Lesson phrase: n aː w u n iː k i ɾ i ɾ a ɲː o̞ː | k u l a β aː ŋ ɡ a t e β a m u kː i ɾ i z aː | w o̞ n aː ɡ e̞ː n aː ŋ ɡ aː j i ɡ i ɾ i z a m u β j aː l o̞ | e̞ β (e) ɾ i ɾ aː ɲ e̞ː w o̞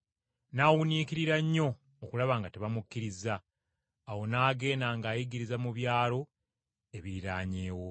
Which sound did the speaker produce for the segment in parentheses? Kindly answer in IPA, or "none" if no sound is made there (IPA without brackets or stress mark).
i